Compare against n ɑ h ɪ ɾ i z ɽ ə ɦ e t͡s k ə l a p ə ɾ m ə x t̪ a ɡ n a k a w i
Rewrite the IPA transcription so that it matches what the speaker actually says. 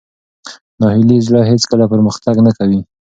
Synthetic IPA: n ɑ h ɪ l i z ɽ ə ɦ e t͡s k ə l a p ə ɾ m ə x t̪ a ɡ n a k a w i